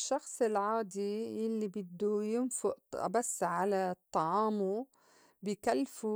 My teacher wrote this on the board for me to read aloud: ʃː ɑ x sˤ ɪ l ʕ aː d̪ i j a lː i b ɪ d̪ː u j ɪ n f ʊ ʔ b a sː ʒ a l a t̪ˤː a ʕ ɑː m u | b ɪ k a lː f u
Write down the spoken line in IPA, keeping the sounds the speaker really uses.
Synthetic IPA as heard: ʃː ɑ x sˤ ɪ l ʕ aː d̪ i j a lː i b ɪ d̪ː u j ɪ n f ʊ ʔ b a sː ʕ a l a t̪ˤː ɑ ʕ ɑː m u | b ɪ k a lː f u